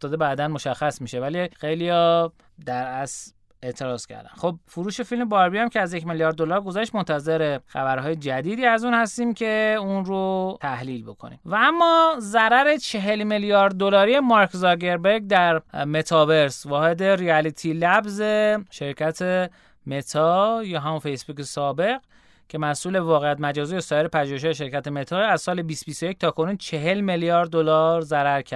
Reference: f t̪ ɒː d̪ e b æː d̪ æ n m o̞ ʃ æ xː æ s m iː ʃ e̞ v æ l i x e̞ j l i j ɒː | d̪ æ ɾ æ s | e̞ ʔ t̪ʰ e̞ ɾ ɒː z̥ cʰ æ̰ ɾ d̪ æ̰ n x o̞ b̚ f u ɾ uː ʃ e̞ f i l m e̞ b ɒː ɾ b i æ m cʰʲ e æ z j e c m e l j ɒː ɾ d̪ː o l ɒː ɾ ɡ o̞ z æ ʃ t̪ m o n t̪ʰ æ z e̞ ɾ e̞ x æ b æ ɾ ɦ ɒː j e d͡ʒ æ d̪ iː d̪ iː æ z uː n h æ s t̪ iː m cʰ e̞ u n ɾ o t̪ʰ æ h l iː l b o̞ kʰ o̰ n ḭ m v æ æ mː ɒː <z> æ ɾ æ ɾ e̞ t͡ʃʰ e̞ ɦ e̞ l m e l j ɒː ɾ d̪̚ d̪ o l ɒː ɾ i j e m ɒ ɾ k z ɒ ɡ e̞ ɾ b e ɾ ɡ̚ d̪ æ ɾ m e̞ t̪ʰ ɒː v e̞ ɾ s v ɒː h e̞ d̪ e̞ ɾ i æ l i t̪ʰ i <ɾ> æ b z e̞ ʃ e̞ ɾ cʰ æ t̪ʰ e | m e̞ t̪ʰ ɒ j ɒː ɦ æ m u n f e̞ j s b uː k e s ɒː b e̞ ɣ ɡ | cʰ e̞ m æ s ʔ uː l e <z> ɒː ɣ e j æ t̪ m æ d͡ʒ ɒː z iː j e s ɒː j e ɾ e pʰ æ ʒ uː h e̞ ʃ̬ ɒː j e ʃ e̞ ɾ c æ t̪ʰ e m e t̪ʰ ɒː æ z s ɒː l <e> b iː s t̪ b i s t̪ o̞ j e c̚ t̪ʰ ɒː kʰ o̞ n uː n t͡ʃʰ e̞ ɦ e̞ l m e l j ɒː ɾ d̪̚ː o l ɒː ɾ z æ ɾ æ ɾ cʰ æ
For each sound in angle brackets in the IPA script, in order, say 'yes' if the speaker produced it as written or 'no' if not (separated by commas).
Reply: yes, no, no, yes